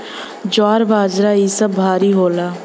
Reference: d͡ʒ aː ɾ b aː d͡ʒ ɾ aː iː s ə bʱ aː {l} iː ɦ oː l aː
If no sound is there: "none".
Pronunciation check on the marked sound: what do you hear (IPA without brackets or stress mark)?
ɾ